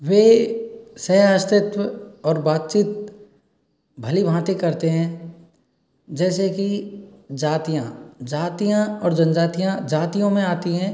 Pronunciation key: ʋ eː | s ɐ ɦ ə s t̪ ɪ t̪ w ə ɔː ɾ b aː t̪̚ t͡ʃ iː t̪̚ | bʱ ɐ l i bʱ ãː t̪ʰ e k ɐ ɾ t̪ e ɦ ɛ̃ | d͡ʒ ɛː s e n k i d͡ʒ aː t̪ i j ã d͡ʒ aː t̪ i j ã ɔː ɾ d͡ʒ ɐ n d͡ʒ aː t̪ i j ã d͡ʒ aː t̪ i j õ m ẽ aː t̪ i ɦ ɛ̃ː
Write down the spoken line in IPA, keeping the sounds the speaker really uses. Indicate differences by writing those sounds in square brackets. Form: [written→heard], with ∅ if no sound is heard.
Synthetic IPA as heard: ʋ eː | s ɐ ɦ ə s t̪ ɪ t̪ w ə ɔː ɾ b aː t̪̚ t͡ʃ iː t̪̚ | bʱ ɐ l i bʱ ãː [t̪ʰ→t̪] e k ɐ ɾ t̪ e ɦ ɛ̃ | d͡ʒ ɛː s e [n→∅] k i d͡ʒ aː t̪ i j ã d͡ʒ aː t̪ i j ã ɔː ɾ d͡ʒ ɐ n d͡ʒ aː t̪ i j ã d͡ʒ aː t̪ i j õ m ẽ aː t̪ i ɦ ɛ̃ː